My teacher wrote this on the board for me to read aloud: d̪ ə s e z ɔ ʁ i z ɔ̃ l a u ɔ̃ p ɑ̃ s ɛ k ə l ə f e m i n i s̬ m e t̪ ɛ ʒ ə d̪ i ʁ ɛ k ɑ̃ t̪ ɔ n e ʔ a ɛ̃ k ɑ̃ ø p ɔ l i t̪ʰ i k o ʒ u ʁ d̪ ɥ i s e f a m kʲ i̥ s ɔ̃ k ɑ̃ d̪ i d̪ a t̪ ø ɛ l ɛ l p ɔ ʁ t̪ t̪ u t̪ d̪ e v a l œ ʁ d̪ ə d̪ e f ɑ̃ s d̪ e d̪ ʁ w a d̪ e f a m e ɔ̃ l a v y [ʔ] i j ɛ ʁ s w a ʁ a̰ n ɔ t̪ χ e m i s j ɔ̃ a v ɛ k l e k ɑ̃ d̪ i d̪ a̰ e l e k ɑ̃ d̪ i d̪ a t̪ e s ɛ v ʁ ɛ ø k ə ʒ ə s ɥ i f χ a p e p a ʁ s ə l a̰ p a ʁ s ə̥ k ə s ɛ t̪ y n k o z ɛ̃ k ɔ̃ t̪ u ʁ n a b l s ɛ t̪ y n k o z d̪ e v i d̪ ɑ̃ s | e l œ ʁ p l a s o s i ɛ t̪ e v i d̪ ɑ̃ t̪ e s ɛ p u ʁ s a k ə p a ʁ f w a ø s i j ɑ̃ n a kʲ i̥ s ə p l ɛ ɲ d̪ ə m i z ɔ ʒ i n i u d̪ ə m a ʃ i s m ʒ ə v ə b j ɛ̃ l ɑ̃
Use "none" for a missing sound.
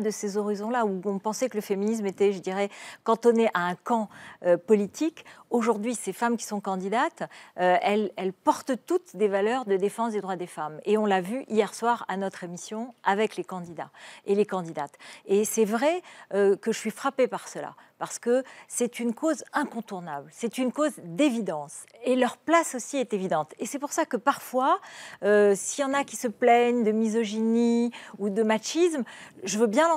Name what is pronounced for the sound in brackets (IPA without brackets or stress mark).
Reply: ʔ